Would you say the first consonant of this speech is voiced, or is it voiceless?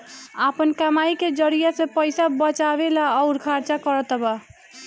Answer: voiceless